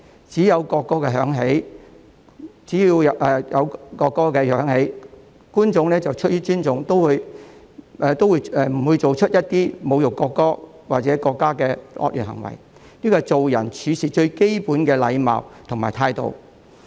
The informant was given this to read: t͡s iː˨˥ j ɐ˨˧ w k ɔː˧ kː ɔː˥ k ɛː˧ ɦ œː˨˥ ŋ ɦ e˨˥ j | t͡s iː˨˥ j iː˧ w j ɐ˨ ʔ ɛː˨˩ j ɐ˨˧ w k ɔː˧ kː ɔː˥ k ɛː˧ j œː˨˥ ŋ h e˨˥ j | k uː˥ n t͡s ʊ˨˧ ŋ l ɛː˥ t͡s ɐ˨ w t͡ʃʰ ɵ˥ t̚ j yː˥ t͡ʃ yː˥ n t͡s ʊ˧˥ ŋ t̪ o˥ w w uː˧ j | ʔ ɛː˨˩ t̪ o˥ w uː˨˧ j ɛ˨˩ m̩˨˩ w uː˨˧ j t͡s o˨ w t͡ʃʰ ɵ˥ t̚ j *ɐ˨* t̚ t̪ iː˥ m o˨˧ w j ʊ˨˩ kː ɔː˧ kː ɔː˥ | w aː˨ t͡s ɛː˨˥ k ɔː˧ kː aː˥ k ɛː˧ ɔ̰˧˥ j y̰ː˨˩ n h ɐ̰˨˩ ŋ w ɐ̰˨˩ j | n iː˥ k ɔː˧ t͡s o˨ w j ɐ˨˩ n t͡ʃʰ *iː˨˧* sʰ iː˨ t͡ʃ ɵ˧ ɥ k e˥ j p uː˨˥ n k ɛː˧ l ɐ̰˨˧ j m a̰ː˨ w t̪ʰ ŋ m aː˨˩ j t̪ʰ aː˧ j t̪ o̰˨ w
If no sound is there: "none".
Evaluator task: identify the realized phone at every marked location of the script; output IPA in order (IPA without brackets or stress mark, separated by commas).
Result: ɐ˥, yː˨˧